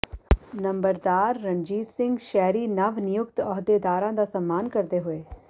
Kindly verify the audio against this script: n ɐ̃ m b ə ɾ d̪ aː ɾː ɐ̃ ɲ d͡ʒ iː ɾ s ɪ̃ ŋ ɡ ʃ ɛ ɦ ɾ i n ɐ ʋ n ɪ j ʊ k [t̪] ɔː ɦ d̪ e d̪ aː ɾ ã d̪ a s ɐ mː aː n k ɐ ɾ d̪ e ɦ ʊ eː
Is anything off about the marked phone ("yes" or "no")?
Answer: no